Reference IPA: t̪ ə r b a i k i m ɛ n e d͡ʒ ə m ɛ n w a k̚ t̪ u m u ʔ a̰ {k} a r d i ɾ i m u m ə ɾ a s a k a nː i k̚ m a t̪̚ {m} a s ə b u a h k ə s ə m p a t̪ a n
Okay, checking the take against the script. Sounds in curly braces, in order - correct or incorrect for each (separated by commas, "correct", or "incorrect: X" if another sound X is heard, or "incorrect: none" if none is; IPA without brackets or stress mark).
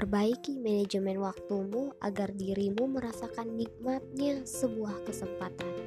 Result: incorrect: ɡ, incorrect: ɲ